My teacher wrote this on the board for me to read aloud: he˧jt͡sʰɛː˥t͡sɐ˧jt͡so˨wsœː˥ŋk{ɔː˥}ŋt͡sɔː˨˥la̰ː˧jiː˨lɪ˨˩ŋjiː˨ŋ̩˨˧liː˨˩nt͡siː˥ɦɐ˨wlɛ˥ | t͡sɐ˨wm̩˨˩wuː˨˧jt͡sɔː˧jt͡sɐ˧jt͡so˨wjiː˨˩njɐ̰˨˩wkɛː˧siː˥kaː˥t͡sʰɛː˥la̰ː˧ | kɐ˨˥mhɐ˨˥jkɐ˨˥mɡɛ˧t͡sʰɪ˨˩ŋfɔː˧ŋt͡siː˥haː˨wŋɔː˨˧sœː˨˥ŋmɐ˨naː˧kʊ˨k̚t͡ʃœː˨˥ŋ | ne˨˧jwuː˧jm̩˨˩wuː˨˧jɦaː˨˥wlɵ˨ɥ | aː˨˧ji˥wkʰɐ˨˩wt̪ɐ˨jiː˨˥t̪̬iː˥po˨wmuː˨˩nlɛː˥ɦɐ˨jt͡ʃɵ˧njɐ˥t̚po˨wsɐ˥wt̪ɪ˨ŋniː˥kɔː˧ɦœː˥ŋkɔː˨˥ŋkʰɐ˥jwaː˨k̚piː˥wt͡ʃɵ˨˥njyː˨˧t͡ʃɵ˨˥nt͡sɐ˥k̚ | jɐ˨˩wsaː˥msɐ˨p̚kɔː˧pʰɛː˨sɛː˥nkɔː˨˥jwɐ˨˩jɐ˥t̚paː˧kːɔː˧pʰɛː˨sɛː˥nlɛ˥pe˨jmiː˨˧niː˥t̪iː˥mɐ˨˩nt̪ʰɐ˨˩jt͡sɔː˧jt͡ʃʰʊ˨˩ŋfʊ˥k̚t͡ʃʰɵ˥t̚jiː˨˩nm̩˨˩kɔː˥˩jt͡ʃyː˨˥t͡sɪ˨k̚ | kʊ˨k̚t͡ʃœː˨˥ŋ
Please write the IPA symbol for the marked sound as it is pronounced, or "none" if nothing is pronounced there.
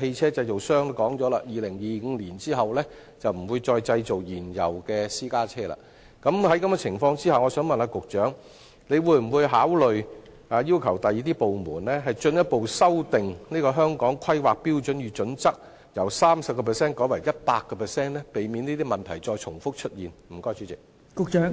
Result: ɔː˨˥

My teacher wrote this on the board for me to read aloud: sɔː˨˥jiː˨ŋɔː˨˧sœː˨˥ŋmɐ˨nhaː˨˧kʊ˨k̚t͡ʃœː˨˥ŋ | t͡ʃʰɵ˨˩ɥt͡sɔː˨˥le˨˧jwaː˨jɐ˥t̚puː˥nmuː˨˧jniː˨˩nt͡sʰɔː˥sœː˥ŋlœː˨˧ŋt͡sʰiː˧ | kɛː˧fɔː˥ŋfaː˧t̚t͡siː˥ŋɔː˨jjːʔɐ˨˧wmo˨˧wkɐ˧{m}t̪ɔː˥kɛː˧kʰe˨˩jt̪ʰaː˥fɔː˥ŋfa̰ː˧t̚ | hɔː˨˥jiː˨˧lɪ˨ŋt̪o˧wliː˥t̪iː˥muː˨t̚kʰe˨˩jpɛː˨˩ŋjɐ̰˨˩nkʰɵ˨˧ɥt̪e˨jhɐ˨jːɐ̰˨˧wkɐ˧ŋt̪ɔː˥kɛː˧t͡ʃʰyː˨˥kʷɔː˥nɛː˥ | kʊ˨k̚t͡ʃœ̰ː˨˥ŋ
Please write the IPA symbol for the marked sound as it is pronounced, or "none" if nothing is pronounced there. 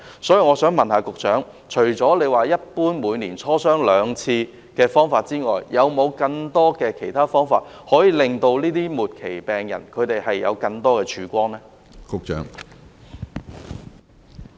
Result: ŋ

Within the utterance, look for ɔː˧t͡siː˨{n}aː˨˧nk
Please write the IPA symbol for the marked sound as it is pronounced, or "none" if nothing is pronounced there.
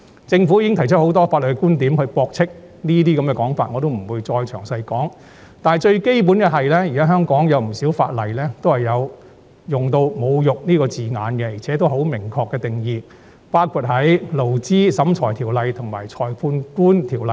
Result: ŋ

